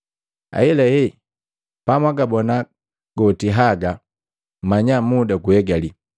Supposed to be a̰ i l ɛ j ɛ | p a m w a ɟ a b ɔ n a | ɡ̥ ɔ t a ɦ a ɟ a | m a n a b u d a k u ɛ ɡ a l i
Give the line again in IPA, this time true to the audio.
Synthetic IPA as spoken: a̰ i l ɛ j ɛ | p a m w a ɡ a b ɔ n a | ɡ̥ ɔ t i ɦ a ɡ a | m a ɲ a m u d a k u ɛ ɡ a l i